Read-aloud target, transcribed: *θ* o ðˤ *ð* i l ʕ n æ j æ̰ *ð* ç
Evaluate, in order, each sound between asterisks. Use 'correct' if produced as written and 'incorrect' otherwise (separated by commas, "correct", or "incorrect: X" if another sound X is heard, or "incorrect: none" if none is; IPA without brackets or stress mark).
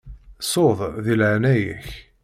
incorrect: s, correct, incorrect: none